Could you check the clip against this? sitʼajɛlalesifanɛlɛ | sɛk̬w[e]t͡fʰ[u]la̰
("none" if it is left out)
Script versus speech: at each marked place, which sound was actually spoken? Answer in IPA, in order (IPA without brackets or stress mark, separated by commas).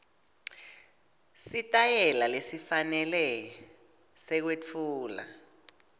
e, uː